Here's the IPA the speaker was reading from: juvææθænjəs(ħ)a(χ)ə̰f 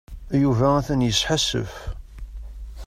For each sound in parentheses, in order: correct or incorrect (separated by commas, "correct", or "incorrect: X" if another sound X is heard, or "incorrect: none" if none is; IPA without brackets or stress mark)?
correct, incorrect: s